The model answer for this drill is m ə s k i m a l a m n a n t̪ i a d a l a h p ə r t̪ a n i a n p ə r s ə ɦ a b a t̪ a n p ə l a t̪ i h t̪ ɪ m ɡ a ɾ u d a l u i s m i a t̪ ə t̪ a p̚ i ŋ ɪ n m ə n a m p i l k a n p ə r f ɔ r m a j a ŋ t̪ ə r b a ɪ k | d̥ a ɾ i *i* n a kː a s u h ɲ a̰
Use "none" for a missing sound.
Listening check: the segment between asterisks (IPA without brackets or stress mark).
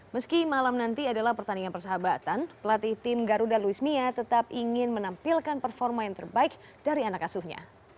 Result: a